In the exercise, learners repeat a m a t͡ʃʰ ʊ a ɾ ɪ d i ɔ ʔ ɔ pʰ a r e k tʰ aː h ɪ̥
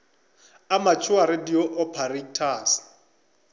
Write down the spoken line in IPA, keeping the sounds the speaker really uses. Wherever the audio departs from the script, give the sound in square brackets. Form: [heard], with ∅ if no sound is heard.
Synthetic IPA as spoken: a m a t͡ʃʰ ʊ a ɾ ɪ d i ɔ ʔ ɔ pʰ a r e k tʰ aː [s] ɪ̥